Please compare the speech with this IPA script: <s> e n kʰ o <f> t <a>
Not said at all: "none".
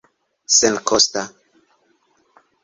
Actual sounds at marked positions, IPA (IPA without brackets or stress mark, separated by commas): s, s, a